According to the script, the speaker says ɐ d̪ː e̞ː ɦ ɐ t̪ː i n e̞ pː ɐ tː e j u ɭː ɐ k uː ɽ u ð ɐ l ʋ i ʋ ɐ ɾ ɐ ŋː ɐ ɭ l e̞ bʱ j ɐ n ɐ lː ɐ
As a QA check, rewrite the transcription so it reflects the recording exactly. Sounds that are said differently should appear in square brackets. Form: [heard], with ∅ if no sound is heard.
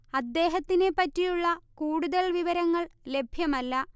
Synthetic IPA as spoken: ɐ d̪ː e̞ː ɦ ɐ t̪ː i n e̞ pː ɐ tː [i] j u ɭː ɐ k uː ɽ u ð ɐ l ʋ i ʋ ɐ ɾ ɐ ŋː ɐ ɭ l e̞ bʱ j ɐ [m] ɐ lː ɐ